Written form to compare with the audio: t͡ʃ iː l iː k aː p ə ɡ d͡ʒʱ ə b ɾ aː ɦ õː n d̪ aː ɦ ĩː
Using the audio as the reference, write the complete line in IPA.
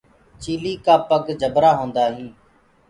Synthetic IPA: t͡ʃ iː l iː k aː p ə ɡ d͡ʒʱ ə b ɾ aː ɦ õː n d̪ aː ɦ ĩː

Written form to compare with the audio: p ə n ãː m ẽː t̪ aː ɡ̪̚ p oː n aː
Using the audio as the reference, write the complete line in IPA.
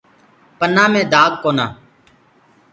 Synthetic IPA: p ə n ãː m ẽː d̪ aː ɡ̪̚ k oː n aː

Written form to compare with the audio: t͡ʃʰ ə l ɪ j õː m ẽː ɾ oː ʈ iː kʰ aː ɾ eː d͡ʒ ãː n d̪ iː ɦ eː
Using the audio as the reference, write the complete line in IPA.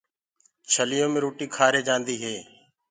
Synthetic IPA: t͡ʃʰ ə l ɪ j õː m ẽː ɾ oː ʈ iː kʰ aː ɾ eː d͡ʒ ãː n d̪ iː ɦ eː

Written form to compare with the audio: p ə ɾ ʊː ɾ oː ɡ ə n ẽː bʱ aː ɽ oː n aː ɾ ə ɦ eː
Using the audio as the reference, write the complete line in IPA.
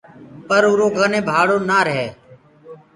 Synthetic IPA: p ə ɾ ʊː ɾ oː ɡ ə n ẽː bʱ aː ɽ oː n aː ɾ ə ɦ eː

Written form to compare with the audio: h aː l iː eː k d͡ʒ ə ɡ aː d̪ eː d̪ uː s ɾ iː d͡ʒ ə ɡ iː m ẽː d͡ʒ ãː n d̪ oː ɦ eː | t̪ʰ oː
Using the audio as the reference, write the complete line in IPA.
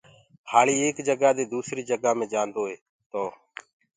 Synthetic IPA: h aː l iː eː k d͡ʒ ə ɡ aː d̪ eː d̪ uː s ɾ iː d͡ʒ ə ɡ aː m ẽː d͡ʒ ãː n d̪ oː ɦ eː | t̪ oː

